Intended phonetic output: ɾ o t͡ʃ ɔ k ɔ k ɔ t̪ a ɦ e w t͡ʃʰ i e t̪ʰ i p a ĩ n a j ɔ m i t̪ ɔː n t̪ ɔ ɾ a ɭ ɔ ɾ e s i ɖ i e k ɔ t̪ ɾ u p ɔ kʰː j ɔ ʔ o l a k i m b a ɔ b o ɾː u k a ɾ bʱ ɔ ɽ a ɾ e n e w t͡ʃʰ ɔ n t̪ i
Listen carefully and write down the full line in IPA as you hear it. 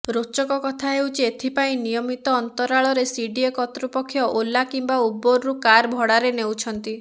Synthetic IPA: ɾ o t͡ʃ ɔ k ɔ k ɔ t̪ʰ a ɦ e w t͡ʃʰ i e t̪ʰ i p a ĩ n i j ɔ m i t̪ ɔː n t̪ ɔ ɾ a ɭ ɔ ɾ e s i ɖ i e k ɔ t̪ ɾ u p ɔ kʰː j ɔ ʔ o l a k i m b a u b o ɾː u k a ɾ bʱ ɔ ɽ a ɾ e n e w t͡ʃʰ ɔ n t̪ i